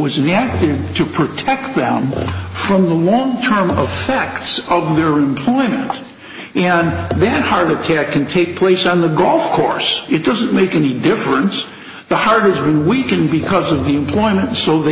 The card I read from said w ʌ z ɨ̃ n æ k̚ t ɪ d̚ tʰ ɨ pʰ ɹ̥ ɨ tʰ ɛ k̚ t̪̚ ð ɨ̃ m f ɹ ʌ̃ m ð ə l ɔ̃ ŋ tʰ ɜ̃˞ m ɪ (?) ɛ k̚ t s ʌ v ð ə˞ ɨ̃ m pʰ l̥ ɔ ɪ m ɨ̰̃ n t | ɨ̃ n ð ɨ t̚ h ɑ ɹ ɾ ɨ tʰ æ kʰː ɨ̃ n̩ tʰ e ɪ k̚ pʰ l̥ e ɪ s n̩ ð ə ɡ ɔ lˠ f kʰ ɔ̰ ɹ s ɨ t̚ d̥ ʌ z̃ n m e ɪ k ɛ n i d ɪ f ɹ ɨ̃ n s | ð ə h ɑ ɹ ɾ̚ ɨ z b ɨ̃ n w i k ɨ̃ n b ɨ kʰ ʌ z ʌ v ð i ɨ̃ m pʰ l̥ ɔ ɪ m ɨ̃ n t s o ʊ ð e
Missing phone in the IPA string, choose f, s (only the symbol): f